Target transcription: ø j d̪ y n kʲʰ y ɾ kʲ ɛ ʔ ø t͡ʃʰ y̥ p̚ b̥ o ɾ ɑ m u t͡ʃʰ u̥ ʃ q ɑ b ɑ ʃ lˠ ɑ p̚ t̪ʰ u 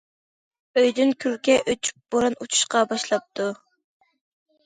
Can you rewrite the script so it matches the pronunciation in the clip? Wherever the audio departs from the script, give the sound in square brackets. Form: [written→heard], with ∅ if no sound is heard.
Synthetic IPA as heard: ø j d̪ y n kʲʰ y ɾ kʲ ɛ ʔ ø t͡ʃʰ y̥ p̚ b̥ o ɾ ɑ [m→n] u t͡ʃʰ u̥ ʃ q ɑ b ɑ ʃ lˠ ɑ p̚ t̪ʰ u